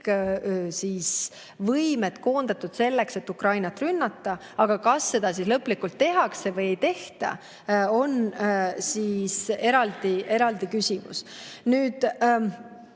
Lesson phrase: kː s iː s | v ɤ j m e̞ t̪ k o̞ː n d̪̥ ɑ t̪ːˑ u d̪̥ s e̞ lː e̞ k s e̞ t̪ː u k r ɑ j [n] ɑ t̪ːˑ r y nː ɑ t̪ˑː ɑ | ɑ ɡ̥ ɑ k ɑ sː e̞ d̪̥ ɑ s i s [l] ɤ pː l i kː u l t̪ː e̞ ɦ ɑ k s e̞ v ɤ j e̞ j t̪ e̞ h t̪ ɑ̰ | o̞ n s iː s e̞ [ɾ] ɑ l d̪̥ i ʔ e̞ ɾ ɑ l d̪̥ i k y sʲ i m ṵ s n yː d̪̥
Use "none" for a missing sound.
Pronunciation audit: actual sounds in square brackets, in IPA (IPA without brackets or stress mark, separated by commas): n, l, ɾ